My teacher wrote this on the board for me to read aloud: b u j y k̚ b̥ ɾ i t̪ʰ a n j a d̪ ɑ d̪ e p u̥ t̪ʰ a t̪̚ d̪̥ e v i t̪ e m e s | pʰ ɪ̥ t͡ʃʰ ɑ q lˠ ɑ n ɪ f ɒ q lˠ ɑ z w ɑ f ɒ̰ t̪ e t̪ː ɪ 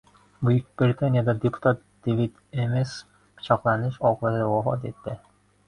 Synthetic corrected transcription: b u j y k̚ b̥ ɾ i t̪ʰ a n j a d̪ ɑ d̪ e p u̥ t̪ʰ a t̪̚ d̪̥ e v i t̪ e m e s | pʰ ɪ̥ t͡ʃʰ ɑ q lˠ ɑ n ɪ ʃ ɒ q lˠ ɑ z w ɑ f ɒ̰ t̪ e t̪ː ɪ